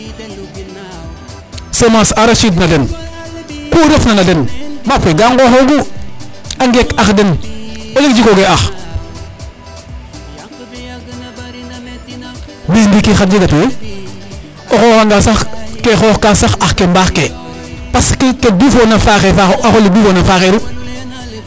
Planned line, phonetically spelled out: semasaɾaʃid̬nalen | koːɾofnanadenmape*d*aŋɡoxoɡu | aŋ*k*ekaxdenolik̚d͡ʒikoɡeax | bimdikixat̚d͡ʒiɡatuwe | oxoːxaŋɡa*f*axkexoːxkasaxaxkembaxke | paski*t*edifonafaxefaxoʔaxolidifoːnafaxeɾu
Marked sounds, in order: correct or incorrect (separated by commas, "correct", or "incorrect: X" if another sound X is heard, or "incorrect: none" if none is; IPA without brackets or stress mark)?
incorrect: ɡ, incorrect: ɡ, incorrect: s, incorrect: k